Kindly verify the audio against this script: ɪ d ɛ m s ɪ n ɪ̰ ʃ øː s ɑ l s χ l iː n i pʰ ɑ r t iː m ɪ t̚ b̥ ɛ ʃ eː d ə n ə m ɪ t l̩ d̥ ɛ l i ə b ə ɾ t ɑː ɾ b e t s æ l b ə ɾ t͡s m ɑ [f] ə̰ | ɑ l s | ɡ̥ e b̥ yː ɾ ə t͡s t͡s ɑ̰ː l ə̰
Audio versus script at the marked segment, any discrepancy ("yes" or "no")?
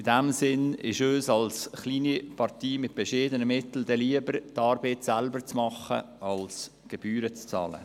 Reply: yes